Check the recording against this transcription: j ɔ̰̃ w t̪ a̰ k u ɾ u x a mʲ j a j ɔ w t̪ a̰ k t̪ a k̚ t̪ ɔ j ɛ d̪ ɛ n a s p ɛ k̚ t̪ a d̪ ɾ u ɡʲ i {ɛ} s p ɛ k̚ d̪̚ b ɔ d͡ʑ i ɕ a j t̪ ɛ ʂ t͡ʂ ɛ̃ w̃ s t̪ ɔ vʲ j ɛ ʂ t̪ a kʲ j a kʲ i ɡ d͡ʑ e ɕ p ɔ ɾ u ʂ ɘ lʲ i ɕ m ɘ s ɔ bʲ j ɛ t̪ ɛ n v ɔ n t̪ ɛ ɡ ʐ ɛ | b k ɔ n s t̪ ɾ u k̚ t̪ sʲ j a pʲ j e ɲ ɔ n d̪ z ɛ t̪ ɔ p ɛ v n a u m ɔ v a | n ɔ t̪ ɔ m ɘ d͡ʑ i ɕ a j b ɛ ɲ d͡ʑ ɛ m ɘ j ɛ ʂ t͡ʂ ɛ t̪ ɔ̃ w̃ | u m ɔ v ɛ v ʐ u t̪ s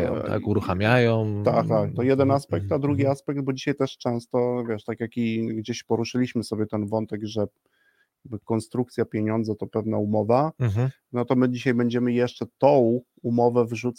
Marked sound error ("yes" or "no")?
yes